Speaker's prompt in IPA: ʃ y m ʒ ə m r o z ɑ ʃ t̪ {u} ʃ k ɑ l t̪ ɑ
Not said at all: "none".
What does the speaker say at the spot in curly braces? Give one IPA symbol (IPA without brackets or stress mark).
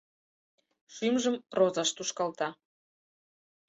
u